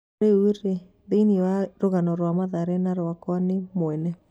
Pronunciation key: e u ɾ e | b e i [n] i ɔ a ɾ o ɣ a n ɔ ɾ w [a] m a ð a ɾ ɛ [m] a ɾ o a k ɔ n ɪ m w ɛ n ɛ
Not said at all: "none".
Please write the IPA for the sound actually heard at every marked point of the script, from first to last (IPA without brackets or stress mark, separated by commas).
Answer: n, a, n